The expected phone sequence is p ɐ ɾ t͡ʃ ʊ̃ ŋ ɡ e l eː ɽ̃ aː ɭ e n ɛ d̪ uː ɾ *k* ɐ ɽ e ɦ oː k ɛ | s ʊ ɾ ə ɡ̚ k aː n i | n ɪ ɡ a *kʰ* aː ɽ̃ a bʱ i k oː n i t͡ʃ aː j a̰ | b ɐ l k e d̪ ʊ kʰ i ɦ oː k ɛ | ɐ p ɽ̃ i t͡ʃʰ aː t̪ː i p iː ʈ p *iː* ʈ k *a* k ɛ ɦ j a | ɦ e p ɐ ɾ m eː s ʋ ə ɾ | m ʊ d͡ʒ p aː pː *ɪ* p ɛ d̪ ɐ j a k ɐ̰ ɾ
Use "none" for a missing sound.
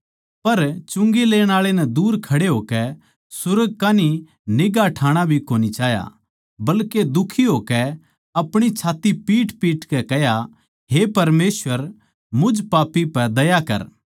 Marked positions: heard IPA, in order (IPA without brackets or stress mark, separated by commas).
kʰ, ʈʰ, iː, ɛ, i